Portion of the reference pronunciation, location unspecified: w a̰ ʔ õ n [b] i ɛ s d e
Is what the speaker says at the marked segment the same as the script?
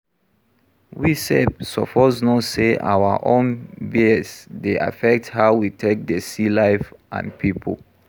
yes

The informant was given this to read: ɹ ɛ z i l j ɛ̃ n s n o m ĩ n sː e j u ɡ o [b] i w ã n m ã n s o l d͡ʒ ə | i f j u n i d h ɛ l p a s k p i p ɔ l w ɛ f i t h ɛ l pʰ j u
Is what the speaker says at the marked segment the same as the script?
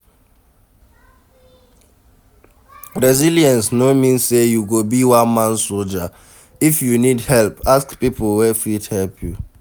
yes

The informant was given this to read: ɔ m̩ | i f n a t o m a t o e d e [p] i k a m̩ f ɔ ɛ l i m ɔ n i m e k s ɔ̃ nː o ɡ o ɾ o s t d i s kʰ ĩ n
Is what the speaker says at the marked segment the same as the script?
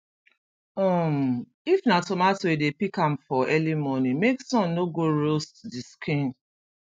yes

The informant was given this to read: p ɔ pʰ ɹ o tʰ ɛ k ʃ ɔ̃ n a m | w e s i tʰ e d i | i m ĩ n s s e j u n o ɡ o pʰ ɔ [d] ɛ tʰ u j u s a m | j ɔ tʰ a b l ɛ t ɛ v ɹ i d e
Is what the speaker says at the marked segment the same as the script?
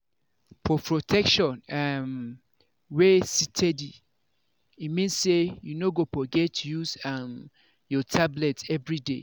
no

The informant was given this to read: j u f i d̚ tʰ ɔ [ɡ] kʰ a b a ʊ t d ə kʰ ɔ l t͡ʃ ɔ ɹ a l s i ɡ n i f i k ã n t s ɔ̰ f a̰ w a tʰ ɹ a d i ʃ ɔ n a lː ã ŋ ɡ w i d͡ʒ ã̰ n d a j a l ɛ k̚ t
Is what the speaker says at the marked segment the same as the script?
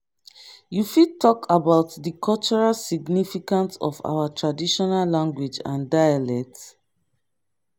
no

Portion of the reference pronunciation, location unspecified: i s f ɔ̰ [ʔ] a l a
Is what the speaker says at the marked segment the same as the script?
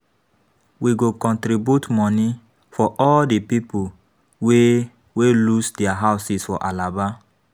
yes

